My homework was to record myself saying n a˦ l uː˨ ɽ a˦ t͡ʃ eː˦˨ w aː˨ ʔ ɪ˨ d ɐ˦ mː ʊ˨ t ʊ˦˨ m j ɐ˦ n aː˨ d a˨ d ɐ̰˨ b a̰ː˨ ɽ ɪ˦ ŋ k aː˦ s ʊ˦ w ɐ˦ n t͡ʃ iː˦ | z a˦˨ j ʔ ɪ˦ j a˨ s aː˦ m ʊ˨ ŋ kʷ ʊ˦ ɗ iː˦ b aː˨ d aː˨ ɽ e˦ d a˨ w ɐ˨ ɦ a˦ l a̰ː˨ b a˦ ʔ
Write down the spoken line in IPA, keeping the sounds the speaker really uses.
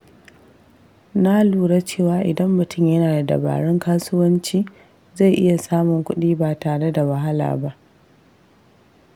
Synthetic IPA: n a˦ l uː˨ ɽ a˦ t͡ʃ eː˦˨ w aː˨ ʔ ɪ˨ d ɐ˦ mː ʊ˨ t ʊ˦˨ m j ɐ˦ n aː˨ d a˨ d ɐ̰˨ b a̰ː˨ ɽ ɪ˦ ŋ k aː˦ s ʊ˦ w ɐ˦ n t͡ʃ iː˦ | z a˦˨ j ʔ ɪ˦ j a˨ s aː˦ m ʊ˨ ŋ kʷ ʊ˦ ɗ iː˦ b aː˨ t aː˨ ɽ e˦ d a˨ w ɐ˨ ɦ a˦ l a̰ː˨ b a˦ ʔ